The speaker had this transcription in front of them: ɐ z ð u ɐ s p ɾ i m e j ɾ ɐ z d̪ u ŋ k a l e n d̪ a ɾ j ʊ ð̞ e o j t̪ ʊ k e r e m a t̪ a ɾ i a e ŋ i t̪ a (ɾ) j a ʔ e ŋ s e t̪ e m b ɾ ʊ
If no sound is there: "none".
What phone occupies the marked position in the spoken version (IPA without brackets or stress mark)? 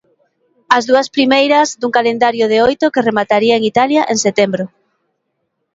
l